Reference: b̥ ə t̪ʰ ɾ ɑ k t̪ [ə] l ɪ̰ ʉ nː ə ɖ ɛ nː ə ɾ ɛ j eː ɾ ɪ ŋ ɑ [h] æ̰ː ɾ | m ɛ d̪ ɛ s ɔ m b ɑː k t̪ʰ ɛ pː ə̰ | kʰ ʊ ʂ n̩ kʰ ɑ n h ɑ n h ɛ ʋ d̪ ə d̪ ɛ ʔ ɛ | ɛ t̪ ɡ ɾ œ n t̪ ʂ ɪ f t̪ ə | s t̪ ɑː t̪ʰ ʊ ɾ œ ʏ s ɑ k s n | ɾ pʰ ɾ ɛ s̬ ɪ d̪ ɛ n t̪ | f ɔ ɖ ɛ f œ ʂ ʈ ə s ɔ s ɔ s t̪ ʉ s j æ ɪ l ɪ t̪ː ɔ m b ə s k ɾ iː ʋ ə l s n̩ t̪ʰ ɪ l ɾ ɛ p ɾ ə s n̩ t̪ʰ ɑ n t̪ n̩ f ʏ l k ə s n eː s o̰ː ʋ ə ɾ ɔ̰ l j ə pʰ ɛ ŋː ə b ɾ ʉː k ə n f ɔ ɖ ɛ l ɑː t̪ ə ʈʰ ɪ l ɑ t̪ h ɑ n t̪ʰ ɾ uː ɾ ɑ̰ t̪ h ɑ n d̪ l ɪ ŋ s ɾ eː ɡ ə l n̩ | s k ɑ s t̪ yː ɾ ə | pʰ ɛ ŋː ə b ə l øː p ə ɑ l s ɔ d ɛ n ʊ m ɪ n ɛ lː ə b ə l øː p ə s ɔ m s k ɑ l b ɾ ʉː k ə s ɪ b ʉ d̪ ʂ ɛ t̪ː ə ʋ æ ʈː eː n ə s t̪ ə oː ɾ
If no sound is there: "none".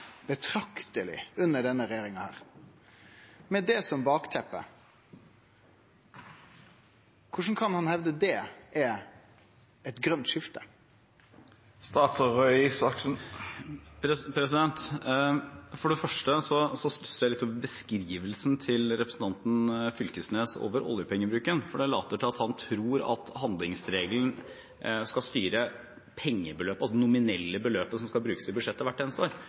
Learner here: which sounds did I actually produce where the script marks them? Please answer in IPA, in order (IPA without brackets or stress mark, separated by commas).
ə, h